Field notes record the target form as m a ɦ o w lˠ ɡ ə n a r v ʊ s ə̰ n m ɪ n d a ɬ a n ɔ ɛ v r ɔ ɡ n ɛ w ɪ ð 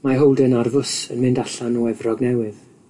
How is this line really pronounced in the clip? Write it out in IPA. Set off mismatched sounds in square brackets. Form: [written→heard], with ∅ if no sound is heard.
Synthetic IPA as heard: m a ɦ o w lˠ [ɡ→d] ə n a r v ʊ s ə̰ n m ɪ n d a ɬ a n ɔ ɛ v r ɔ ɡ n ɛ w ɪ ð